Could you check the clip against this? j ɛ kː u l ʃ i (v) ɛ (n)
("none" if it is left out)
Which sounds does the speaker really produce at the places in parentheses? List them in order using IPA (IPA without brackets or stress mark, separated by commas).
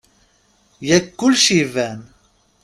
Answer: v, n